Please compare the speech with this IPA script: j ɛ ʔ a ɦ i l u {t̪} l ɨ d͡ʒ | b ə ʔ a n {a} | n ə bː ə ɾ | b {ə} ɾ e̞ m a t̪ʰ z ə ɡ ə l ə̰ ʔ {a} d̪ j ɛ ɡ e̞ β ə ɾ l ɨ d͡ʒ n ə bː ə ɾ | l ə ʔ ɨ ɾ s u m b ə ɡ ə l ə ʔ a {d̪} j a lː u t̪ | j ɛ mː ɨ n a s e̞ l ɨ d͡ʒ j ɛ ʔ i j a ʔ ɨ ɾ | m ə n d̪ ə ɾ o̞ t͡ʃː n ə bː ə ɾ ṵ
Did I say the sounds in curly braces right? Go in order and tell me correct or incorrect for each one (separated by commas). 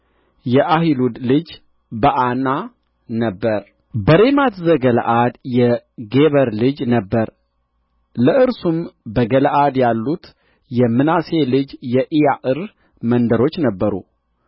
incorrect, correct, correct, correct, correct